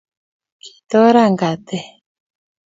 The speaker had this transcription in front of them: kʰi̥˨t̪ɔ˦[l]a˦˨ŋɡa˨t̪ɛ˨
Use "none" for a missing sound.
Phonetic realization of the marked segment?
ɾ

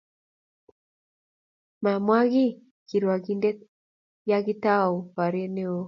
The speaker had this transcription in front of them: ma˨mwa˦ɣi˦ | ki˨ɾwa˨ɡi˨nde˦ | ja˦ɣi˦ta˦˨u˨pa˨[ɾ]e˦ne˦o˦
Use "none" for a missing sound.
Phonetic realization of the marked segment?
ɾ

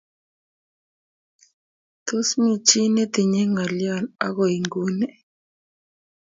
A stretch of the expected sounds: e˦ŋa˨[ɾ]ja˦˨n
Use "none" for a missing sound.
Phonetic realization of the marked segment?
l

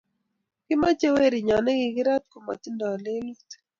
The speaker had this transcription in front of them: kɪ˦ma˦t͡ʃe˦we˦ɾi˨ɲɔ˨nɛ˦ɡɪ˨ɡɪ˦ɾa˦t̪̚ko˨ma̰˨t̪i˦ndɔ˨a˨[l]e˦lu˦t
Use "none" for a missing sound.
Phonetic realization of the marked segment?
l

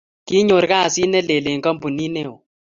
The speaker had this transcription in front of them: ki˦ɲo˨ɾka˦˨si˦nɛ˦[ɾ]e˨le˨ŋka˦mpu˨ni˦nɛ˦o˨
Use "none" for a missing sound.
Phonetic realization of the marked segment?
l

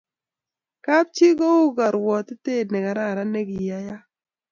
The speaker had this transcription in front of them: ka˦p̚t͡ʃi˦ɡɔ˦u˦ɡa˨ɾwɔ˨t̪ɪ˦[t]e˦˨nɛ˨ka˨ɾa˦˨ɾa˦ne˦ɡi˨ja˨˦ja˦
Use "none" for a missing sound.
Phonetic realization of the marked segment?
t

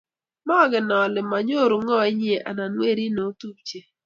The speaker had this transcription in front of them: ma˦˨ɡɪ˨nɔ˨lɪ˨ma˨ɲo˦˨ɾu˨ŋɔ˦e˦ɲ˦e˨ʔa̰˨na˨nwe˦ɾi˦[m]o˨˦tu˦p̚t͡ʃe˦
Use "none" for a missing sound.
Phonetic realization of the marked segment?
n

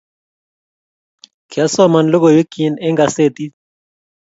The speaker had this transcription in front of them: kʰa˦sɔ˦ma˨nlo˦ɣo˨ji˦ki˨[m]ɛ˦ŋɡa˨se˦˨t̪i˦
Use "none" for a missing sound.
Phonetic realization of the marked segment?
n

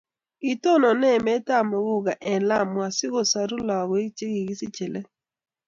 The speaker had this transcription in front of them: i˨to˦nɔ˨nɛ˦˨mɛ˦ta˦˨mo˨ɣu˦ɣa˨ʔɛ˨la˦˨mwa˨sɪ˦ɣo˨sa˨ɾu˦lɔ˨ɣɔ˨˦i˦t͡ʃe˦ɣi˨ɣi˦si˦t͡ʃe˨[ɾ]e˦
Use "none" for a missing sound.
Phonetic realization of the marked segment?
l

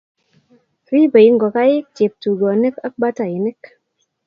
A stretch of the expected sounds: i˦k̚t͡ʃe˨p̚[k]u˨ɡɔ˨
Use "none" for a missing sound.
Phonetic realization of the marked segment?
t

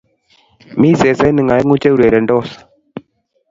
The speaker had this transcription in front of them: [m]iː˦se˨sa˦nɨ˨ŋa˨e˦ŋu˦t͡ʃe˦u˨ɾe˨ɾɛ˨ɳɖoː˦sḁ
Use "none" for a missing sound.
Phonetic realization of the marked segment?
m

